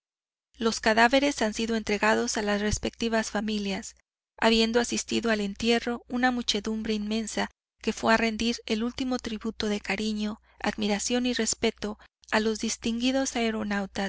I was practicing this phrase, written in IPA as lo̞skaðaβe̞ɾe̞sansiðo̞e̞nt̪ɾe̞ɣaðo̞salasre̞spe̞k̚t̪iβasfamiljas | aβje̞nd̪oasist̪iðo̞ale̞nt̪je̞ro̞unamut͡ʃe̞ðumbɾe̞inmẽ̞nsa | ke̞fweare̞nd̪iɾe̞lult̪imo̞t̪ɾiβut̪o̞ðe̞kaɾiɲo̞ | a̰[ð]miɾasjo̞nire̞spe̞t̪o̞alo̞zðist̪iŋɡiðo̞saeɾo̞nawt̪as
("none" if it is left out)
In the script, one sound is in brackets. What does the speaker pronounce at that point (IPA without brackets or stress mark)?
ð